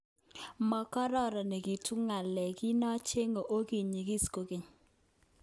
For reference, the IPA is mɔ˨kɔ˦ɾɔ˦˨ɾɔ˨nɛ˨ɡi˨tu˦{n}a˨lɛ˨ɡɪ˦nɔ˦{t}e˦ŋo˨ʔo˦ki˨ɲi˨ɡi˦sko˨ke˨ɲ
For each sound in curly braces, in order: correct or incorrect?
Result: incorrect: ŋ, incorrect: t͡ʃ

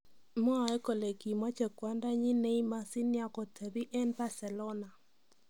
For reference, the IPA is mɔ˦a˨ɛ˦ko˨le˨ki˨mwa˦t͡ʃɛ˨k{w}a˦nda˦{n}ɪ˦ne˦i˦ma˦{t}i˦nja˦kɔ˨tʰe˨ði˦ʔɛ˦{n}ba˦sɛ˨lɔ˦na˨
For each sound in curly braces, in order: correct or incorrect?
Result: correct, incorrect: ɲ, incorrect: s, correct

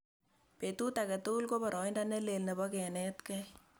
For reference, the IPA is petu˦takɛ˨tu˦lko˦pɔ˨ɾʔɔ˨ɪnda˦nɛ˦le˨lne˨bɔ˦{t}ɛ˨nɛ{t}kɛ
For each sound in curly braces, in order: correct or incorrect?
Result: incorrect: k, correct

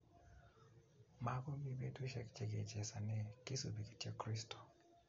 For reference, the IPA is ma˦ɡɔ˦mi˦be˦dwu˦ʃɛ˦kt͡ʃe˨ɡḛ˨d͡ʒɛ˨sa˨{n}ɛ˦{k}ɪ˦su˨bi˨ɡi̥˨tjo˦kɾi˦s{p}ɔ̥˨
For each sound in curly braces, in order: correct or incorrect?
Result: correct, correct, incorrect: t

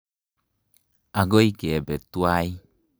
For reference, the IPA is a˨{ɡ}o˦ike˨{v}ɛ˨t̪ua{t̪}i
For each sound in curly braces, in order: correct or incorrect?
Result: correct, incorrect: b, incorrect: none

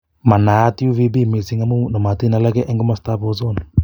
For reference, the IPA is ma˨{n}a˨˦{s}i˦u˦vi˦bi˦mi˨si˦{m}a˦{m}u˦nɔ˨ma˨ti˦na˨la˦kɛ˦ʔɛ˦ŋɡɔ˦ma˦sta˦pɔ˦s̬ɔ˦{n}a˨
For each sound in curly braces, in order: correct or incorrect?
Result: correct, incorrect: t, incorrect: ŋ, correct, correct

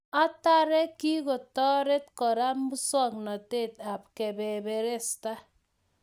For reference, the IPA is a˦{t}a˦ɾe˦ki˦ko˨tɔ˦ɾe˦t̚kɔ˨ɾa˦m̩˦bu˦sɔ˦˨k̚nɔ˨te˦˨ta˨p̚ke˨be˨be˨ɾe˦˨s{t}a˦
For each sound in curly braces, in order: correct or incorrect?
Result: correct, correct

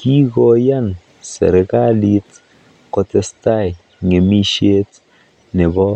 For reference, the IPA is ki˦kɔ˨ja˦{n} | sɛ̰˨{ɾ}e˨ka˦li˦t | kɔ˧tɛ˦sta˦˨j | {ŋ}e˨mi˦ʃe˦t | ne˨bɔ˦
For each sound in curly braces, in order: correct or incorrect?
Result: correct, correct, correct

